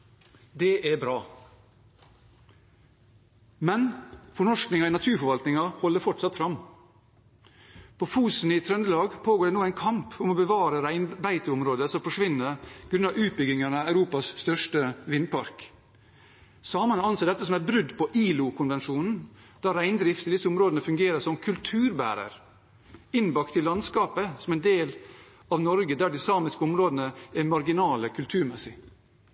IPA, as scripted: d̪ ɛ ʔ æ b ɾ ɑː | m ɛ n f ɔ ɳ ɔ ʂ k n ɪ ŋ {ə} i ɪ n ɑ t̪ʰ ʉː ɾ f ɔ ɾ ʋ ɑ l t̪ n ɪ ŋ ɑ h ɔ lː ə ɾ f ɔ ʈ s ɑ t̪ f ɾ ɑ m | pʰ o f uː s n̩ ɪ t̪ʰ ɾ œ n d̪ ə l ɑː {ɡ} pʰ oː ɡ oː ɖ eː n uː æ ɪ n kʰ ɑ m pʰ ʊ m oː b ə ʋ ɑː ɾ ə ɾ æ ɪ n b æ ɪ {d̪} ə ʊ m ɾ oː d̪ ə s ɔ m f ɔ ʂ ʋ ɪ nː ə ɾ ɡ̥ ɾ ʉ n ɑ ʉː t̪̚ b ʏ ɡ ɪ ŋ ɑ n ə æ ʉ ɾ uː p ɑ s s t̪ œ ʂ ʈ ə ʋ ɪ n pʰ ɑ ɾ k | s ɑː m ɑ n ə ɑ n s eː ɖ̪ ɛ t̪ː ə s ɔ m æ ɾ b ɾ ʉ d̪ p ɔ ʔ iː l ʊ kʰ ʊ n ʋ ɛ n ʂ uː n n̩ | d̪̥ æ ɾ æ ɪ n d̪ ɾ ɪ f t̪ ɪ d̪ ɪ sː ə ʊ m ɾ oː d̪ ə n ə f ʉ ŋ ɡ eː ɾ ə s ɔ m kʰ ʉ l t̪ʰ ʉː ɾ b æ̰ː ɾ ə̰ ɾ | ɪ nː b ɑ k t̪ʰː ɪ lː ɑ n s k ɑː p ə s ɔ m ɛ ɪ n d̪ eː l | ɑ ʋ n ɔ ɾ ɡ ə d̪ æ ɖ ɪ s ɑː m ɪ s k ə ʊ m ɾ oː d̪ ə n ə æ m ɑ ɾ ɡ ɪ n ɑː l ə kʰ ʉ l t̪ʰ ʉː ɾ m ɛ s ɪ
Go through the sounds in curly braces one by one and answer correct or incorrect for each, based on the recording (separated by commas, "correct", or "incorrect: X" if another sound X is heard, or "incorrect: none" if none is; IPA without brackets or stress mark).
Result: incorrect: ɑ, correct, incorrect: t̪